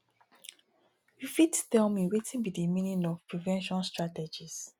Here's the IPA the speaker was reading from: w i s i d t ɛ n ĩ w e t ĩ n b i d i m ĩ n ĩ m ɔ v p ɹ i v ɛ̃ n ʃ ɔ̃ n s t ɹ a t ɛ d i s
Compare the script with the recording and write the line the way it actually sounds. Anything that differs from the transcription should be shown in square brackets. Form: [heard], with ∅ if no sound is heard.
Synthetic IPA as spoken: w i [f] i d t ɛ [m] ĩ w e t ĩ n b i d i m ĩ n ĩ [n] ɔ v p ɹ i v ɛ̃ n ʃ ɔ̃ n s t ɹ a t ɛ [d͡ʒ] i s

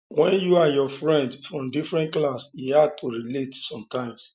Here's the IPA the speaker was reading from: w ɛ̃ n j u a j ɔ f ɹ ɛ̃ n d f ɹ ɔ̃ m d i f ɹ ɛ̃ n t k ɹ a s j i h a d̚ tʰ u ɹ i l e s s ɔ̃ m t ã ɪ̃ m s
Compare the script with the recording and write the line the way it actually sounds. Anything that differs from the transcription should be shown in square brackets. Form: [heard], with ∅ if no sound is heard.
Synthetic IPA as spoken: w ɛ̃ n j u a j ɔ f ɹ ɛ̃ n d f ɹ ɔ̃ m d i f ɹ ɛ̃ n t k [l] a s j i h a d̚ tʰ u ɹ i l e [t] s ɔ̃ m t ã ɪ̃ m s

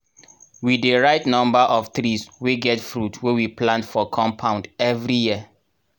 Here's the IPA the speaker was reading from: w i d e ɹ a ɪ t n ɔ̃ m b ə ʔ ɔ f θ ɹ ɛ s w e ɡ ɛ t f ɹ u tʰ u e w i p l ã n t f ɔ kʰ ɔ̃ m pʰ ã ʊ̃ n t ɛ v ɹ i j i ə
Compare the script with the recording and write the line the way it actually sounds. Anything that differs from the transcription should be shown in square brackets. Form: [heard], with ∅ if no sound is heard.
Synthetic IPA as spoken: w i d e ɹ a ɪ t n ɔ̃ m b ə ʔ ɔ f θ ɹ [i] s w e ɡ ɛ t f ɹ u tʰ [w] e w i p l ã n t f ɔ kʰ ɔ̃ m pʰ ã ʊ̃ n [d] ɛ v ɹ i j i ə

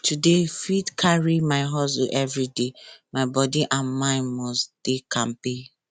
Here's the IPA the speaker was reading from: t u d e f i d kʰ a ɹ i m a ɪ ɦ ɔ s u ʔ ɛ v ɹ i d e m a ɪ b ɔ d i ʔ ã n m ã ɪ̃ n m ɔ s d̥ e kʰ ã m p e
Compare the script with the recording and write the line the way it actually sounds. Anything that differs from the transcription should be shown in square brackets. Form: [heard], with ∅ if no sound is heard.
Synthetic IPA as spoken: t u d e f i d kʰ a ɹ i m a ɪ ɦ ɔ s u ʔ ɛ v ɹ i d e m a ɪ b ɔ d i ʔ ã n m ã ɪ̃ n m ɔ s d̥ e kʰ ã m p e

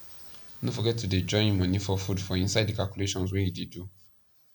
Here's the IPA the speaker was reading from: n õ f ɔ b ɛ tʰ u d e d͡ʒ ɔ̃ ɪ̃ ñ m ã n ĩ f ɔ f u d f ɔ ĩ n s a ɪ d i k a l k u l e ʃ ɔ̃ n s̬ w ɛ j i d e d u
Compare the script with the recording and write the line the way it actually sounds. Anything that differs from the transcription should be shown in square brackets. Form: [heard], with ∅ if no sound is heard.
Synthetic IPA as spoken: n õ f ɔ [ɡ] ɛ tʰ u d e d͡ʒ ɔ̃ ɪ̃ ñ m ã n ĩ f ɔ f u d f ɔ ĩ n s a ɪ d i k a l k u l e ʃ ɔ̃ n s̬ w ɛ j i d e d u

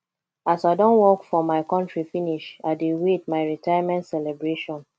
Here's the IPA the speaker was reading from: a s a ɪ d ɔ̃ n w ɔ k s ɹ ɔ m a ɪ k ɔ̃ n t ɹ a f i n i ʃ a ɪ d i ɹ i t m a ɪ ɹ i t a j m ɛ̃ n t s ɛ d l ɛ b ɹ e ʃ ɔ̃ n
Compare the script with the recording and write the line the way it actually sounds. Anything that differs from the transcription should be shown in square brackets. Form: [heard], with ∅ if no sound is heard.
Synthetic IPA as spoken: a s a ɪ d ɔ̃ n w ɔ k [f] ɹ ɔ m a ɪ k ɔ̃ n t ɹ [i] f i n i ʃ a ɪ d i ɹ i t m a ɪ ɹ i t a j m ɛ̃ n t s ɛ [∅] l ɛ b ɹ e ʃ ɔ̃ n

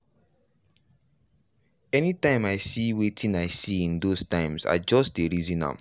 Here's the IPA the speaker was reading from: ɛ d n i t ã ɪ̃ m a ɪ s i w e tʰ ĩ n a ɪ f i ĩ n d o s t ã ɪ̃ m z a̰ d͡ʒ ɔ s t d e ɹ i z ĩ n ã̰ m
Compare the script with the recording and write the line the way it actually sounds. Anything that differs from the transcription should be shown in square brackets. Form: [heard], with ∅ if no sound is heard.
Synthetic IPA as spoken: ɛ [∅] n i t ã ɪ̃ m a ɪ s i w e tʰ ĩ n a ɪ [s] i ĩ n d o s t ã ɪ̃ m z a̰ d͡ʒ ɔ s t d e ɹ i z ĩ n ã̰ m

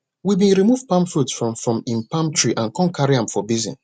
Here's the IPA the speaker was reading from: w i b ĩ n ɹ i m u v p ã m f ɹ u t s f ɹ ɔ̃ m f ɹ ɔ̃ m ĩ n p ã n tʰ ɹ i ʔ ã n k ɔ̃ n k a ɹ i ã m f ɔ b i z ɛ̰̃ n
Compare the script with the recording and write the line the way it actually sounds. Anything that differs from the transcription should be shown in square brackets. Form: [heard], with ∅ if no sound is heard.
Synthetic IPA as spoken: w i b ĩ n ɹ i m u v p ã m f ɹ u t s f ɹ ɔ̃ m f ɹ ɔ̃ m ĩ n p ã [m] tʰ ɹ i ʔ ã n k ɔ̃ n k a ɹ i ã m f ɔ b i z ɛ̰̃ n

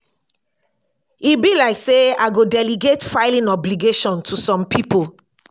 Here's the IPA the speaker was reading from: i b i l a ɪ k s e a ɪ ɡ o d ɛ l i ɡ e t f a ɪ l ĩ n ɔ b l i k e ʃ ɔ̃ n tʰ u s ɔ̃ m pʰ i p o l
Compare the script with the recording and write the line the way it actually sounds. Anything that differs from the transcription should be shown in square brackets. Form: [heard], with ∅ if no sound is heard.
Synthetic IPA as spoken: i b i l a ɪ k s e a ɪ ɡ o d ɛ l i ɡ e t f a ɪ l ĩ n ɔ b l i [ɡ] e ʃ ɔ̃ n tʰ u s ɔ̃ m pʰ i p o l

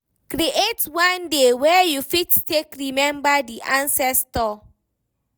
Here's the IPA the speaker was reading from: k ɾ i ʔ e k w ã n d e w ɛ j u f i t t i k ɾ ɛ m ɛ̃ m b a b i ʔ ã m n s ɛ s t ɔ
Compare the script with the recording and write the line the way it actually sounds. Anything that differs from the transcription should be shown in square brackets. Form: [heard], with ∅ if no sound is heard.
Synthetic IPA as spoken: k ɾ i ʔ e [t] w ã n d e w ɛ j u f i t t [e] k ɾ [i] m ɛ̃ m b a [d] i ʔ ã [∅] n s ɛ s t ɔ

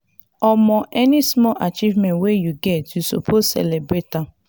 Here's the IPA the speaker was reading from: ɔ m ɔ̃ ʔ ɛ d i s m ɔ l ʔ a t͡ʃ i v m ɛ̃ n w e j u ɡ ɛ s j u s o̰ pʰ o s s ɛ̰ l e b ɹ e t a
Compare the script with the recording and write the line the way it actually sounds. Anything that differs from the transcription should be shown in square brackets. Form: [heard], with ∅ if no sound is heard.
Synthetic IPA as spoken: ɔ m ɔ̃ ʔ ɛ [n] i s m ɔ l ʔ a t͡ʃ i v m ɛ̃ n w e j u ɡ ɛ [t] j u s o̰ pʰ o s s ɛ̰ l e b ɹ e t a

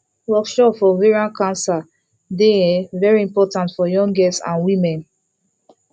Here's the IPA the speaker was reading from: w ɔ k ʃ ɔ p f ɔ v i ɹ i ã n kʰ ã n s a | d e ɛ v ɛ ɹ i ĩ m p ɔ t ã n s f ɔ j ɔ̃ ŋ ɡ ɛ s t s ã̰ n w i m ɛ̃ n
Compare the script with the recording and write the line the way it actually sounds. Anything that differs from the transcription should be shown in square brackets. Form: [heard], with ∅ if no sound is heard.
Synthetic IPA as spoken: w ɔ k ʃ ɔ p f ɔ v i ɹ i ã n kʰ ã n s a | d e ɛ v ɛ ɹ i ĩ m p ɔ t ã n [t] f ɔ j ɔ̃ ŋ ɡ ɛ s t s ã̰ n w i m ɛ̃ n

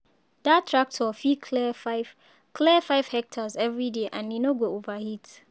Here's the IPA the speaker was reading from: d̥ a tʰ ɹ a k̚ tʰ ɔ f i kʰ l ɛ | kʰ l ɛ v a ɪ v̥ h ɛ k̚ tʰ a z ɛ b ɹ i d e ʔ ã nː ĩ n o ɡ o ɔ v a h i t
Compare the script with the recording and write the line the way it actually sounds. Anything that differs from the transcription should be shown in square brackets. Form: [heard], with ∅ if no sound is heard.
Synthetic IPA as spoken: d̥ a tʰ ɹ a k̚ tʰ ɔ f i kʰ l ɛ | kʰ l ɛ [f] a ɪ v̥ h ɛ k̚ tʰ a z ɛ [v] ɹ i d e ʔ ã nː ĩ n o ɡ o [o] v a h i t

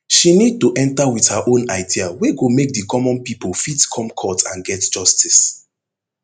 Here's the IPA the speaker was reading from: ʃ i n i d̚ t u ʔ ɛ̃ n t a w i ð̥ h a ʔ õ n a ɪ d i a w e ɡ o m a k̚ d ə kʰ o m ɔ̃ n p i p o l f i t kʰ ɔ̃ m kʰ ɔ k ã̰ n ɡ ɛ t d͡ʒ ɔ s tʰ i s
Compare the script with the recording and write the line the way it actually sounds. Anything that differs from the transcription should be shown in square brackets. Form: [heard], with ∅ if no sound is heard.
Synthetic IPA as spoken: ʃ i n i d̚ t u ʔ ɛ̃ n t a w i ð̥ h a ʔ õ n a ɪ d i a w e ɡ o m [e] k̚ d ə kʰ [ɔ] m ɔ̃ n p i p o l f i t kʰ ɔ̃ m kʰ ɔ [t] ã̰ n ɡ ɛ t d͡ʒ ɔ s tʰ i s

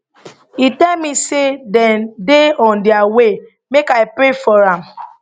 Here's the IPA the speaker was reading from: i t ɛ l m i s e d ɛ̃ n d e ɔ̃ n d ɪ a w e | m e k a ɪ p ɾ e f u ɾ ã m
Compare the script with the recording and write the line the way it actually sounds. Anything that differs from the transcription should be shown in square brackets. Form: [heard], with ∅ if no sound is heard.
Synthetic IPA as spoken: i t ɛ l m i s e d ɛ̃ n d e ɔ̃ n d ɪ a w e | m e k a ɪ p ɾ e f [ɔ] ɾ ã m

